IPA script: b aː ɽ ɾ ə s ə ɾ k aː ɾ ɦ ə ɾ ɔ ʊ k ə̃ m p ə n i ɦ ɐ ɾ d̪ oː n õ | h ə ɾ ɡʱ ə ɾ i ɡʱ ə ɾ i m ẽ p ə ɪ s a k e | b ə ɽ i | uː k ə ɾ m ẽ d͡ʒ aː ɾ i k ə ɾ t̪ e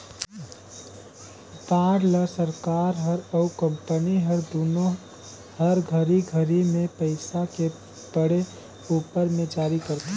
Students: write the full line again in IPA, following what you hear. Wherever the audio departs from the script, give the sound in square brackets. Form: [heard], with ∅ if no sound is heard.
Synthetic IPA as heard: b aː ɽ [l] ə s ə ɾ k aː ɾ ɦ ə ɾ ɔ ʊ k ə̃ m p ə n i ɦ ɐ ɾ d̪ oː n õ | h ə ɾ ɡʱ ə ɾ i ɡʱ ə ɾ i m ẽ p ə ɪ s a k e | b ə ɽ [e] | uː [p] ə ɾ m ẽ d͡ʒ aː ɾ i k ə ɾ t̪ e